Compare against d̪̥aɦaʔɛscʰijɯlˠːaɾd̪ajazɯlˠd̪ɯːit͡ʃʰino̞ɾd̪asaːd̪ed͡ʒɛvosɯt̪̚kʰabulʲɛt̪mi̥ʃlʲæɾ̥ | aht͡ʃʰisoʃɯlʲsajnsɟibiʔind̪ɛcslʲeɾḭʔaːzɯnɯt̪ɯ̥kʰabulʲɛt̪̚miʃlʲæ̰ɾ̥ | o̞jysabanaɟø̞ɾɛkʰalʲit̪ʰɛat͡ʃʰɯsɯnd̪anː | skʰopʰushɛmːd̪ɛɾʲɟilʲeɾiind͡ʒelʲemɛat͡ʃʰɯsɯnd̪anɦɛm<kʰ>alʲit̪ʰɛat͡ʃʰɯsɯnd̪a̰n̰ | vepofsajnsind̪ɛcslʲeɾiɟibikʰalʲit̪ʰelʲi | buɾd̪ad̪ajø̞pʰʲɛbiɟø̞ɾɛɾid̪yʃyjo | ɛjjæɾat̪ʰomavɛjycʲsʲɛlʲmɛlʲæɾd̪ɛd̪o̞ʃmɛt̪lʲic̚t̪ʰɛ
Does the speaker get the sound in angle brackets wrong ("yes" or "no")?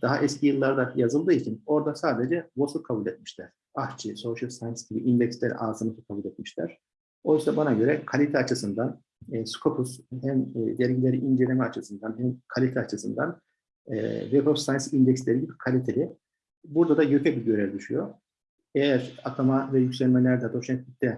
no